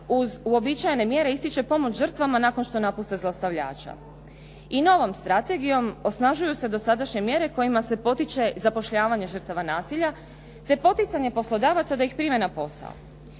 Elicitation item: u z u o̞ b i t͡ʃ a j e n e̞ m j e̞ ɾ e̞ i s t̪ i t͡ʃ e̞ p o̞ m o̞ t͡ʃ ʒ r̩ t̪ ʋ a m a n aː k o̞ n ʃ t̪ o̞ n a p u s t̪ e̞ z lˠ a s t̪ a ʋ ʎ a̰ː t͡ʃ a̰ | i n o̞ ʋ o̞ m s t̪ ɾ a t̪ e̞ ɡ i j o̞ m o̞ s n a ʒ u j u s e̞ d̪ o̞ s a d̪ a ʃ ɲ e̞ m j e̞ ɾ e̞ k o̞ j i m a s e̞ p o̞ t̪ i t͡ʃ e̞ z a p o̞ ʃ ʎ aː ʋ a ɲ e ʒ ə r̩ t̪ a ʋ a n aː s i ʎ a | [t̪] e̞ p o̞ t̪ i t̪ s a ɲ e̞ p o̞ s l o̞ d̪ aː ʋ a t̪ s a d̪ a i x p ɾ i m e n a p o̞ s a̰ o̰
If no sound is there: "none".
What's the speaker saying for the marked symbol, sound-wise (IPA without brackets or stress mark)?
t̪